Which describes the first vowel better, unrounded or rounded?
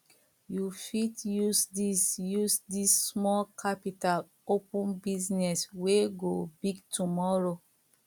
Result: rounded